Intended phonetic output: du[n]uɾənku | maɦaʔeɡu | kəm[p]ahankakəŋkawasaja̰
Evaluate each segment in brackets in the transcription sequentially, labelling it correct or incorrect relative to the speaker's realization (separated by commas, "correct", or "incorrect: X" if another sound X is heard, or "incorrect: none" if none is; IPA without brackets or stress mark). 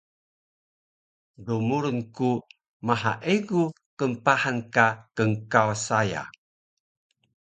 incorrect: m, correct